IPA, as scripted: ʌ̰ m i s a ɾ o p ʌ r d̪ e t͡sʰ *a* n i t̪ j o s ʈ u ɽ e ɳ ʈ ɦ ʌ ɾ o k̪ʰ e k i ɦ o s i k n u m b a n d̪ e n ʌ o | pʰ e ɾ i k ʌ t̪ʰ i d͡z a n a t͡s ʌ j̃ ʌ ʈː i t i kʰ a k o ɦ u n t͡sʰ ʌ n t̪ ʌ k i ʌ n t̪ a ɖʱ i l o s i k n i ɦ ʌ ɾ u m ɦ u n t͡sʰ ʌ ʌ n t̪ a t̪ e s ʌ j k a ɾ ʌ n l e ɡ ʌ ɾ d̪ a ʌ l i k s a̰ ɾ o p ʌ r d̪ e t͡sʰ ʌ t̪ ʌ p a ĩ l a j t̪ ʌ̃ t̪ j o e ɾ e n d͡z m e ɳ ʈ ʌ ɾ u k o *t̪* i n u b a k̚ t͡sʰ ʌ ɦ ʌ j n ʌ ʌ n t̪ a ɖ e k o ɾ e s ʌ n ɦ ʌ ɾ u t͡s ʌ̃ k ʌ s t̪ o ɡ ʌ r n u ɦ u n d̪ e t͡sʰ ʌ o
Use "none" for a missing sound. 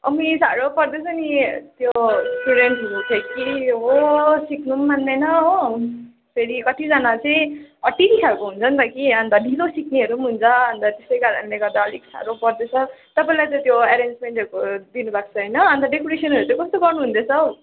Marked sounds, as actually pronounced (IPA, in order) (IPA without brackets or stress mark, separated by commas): ʌ, d̪